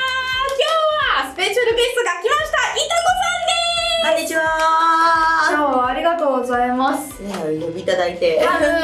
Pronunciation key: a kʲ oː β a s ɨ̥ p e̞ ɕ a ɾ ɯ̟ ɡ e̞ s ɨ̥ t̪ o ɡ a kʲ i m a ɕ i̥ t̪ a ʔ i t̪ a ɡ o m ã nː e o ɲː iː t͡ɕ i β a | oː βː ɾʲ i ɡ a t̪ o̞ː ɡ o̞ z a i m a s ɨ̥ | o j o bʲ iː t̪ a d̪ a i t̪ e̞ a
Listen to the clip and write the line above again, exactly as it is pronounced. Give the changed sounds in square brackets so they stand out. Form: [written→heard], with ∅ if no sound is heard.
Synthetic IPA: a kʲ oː β a s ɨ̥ p e̞ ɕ a ɾ ɯ̟ ɡ e̞ s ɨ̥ t̪ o ɡ a kʲ i m a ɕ i̥ t̪ a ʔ i t̪ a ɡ o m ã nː e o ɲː [iː→i] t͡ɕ i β a | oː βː ɾʲ i ɡ a t̪ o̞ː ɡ o̞ z a i m a s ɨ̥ | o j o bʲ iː t̪ a d̪ a i t̪ e̞ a